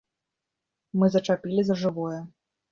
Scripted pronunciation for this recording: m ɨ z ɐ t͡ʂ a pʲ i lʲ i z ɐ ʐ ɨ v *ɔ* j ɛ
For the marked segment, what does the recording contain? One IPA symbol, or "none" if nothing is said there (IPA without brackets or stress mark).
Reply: ɔ